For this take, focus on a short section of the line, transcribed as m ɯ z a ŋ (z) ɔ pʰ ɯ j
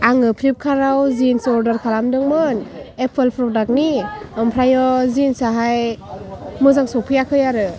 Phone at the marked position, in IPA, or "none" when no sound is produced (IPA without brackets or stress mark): s